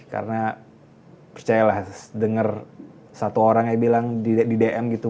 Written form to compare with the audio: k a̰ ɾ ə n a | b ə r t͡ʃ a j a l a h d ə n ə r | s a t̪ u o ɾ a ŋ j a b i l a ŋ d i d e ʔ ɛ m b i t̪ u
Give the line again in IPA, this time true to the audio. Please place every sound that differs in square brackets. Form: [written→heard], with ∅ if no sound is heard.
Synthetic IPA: k a̰ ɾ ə n a | [b→p] ə r t͡ʃ a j a l a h d ə [n→ŋ] ə r | s a t̪ u o ɾ a ŋ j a b i l a ŋ d i d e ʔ ɛ m [b→ɡ] i t̪ u